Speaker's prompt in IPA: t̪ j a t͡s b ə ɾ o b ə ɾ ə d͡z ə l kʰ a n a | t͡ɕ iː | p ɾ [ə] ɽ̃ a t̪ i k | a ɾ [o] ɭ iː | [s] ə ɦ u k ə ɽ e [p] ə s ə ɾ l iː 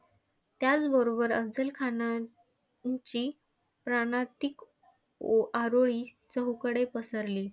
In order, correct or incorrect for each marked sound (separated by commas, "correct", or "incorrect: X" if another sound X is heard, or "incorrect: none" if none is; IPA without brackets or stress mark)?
incorrect: a, correct, incorrect: t͡s, correct